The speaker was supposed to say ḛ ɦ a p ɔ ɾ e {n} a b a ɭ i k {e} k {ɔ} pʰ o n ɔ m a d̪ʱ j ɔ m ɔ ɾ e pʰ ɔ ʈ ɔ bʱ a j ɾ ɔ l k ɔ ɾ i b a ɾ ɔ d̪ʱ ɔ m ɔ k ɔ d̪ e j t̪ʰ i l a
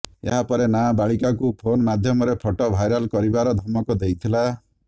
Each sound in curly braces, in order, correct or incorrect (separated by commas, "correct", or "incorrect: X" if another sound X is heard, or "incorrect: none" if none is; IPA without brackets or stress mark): correct, incorrect: a, incorrect: u